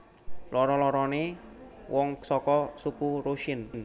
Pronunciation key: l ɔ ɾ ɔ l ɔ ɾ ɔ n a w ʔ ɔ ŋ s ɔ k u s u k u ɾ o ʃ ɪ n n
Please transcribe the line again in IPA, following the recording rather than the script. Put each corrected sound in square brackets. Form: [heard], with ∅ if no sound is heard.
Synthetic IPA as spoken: l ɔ ɾ ɔ l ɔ ɾ ɔ n [e] w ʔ ɔ ŋ s ɔ k [ɔ] s u k u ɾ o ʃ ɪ n n